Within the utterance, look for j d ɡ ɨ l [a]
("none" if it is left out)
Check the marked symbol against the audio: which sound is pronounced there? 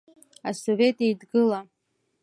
a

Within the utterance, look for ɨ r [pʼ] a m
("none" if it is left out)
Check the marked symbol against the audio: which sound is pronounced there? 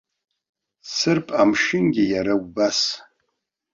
pʼ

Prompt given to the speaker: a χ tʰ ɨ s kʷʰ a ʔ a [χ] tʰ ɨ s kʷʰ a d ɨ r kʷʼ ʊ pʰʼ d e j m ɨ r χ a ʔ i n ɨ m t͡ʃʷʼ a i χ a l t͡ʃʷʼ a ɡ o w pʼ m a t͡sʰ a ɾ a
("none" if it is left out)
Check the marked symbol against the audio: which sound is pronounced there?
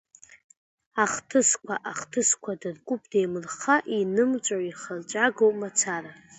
χ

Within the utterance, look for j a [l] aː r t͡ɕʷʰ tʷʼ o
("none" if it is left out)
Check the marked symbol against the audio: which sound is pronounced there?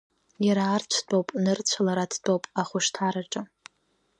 ɾ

